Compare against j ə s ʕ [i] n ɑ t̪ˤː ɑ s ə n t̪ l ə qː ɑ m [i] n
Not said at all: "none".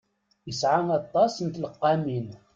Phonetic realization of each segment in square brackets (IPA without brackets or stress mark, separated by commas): a, i